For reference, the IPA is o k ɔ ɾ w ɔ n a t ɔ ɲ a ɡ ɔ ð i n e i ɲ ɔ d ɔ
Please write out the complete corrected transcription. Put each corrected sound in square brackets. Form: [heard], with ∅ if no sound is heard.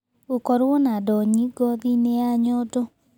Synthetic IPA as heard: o k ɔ ɾ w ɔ n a [d] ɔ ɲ [i] ɡ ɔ ð i n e [a] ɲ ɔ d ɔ